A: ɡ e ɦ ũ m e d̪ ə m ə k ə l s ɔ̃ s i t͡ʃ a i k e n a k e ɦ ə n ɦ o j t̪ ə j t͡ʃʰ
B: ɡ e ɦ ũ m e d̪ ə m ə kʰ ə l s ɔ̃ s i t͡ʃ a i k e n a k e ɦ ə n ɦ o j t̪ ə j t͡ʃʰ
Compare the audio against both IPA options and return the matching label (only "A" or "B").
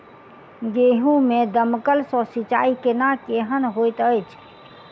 A